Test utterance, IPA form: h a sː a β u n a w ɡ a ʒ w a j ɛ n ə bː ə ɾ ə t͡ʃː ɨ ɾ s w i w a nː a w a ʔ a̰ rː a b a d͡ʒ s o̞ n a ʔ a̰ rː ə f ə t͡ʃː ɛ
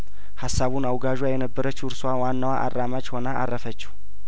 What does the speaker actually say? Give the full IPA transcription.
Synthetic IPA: h a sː a β u n a w ɡ a ʒ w a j ɛ n ə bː ə ɾ ə t͡ʃː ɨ ɾ s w a w a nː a w a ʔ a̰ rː a m a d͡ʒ h o̞ n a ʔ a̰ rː ə f ə t͡ʃː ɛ